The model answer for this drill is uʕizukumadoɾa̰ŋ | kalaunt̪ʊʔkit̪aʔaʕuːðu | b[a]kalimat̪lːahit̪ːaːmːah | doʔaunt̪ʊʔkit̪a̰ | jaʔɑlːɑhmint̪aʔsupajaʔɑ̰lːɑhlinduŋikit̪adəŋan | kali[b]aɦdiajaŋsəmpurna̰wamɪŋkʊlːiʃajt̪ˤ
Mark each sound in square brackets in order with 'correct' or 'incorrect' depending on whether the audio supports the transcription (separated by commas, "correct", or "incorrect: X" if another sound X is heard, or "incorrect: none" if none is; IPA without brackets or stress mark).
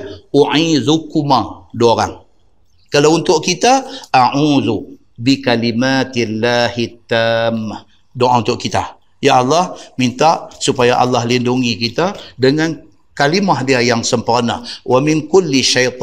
incorrect: i, incorrect: m